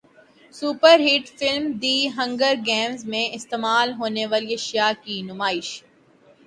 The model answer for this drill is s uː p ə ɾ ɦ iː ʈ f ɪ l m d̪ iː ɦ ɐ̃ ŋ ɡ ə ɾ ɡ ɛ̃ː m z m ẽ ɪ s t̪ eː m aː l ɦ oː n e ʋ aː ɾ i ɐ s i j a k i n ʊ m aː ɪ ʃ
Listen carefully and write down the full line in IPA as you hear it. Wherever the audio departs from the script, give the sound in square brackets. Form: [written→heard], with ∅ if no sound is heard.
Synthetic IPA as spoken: s uː p ə ɾ ɦ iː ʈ f ɪ l m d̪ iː ɦ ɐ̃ ŋ ɡ ə ɾ ɡ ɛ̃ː m z m ẽ ɪ s t̪ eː m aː l ɦ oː n e ʋ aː [ɾ→l] i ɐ [s→ʃ] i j a k i n ʊ m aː ɪ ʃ

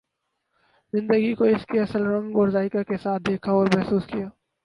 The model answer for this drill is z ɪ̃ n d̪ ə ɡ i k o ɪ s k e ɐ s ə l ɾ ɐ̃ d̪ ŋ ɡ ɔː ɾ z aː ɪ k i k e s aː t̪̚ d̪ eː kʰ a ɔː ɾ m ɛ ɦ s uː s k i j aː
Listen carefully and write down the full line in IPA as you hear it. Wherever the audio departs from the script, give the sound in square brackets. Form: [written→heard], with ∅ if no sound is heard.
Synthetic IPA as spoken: z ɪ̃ n d̪ ə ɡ i k o ɪ s k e ɐ s ə l ɾ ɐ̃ [d̪→∅] ŋ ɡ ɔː ɾ z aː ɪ k [i→a] k e s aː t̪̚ d̪ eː kʰ a ɔː ɾ m ɛ ɦ s uː s k i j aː

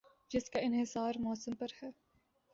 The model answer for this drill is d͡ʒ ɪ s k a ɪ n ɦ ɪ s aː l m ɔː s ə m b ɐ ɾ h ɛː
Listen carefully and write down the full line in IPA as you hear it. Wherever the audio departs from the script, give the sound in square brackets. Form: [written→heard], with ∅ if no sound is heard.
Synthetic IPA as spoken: d͡ʒ ɪ s k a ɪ n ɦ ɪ s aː [l→ɾ] m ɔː s ə m [b→p] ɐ ɾ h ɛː

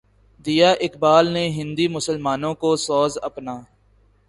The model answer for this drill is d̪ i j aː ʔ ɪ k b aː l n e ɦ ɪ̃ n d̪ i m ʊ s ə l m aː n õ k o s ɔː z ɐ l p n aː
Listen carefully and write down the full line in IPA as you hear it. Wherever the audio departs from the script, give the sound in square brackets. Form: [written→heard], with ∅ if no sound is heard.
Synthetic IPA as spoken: d̪ i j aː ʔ ɪ k b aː l n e ɦ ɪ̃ n d̪ i m ʊ s ə l m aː n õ k o s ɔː z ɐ [l→∅] p n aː

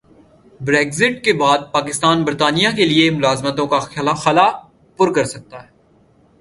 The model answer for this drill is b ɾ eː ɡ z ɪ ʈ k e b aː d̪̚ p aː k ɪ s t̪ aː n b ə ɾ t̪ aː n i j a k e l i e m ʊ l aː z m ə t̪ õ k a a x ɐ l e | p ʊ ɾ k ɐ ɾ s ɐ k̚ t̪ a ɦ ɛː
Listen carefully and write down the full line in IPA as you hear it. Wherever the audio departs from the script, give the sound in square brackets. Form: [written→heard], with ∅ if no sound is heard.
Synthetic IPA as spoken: b ɾ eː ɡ z ɪ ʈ k e b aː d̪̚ p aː k ɪ s t̪ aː n b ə ɾ t̪ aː n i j a k e l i e m ʊ l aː z m ə t̪ õ k a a x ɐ l [e→a] | p ʊ ɾ k ɐ ɾ s ɐ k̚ t̪ a ɦ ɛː

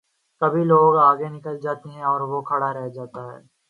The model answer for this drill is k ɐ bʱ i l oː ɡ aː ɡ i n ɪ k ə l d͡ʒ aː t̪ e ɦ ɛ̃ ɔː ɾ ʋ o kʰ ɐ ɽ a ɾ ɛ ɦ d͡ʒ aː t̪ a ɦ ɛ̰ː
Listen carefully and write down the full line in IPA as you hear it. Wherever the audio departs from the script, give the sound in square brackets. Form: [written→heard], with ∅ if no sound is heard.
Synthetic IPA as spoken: k ɐ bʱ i l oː ɡ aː ɡ [i→e] n ɪ k ə l d͡ʒ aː t̪ e ɦ ɛ̃ ɔː ɾ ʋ o kʰ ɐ ɽ a ɾ ɛ ɦ d͡ʒ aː t̪ a ɦ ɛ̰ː

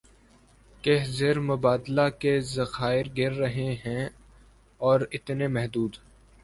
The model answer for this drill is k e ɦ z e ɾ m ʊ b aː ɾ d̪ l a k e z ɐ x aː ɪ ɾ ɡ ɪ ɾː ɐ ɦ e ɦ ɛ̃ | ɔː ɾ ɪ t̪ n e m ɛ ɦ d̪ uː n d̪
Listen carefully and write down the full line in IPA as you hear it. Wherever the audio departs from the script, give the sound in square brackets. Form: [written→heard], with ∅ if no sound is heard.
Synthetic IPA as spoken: k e ɦ z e ɾ m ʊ b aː [ɾ→∅] d̪ l a k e z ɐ x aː ɪ ɾ ɡ ɪ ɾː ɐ ɦ e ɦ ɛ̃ | ɔː ɾ ɪ t̪ n e m ɛ ɦ d̪ uː [n→∅] d̪

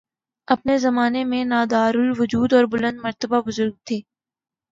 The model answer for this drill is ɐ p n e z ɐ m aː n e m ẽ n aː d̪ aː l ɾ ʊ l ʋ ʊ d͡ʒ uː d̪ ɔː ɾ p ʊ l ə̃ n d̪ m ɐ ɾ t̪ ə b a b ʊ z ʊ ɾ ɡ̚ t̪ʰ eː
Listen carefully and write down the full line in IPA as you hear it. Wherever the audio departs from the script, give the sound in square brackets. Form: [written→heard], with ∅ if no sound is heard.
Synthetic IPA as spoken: ɐ p n e z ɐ m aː n e m ẽ n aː d̪ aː [l→∅] ɾ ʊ l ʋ ʊ d͡ʒ uː d̪ ɔː ɾ [p→b] ʊ l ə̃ n d̪ m ɐ ɾ t̪ ə b a b ʊ z ʊ ɾ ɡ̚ t̪ʰ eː

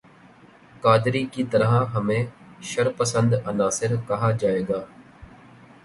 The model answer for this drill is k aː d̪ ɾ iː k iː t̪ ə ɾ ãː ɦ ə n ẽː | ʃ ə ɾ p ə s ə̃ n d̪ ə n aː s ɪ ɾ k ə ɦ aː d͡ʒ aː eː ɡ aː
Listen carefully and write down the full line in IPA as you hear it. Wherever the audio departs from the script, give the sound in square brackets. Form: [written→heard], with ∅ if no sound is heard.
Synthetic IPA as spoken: k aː d̪ ɾ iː k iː t̪ ə ɾ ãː ɦ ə [n→m] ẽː | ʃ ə ɾ p ə s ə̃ n d̪ ə n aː s ɪ ɾ k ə ɦ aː d͡ʒ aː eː ɡ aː

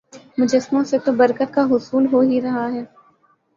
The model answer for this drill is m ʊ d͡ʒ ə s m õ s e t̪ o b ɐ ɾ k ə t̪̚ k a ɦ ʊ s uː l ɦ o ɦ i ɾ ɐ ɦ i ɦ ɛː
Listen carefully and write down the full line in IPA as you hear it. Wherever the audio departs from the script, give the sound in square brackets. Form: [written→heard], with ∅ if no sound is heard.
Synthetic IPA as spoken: m ʊ d͡ʒ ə s m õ s e t̪ o b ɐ ɾ k ə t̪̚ k a ɦ ʊ s uː l ɦ o ɦ i ɾ ɐ ɦ [i→a] ɦ ɛː

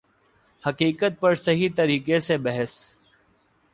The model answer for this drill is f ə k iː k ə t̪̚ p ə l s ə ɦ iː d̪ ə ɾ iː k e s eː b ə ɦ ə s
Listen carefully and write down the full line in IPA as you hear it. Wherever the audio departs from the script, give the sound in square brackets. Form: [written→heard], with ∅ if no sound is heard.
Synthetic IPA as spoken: [f→h] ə k iː k ə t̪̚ p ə [l→ɾ] s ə ɦ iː [d̪→t̪] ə ɾ iː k e s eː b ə ɦ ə s

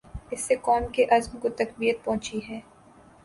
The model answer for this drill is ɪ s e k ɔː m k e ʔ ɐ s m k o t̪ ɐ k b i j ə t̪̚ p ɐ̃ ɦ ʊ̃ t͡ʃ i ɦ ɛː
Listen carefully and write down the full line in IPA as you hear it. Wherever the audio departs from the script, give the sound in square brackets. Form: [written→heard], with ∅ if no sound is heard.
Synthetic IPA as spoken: ɪ [s→sː] e k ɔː m k e ʔ ɐ [s→z] m k o t̪ ɐ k b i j ə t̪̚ p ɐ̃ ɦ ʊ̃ t͡ʃ i ɦ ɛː

